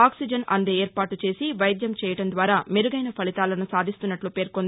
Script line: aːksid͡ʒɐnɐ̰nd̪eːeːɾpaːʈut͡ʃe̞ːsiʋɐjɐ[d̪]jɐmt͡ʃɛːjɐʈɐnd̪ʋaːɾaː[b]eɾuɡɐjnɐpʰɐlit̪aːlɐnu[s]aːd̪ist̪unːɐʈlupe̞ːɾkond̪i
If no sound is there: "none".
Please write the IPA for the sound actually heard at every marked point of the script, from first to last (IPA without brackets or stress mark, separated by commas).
d̪, m, s